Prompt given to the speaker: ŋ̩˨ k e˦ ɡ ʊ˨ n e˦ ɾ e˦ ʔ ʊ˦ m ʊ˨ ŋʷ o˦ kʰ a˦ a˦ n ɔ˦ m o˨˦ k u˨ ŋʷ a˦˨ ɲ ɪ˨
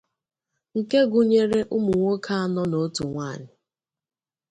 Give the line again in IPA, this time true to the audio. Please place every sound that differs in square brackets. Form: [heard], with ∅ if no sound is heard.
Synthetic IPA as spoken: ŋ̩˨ k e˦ ɡ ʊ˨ [ɲ] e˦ ɾ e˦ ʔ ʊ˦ m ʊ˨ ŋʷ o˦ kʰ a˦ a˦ n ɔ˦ [n] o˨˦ [t] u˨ ŋʷ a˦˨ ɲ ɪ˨